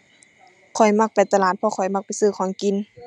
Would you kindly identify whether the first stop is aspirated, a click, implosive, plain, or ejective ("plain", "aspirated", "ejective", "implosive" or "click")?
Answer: aspirated